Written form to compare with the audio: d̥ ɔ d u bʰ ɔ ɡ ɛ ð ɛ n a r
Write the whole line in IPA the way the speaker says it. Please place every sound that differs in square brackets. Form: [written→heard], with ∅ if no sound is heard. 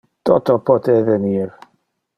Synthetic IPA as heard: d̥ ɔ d [u→ɔ] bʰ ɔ [ɡ→d] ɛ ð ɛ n [a→i] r